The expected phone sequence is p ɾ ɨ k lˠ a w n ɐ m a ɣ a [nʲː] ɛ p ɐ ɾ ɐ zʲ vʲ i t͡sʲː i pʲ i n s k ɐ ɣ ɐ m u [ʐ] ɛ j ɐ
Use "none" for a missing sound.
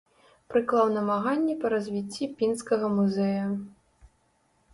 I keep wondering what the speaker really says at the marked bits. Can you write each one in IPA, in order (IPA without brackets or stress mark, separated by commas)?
nʲː, z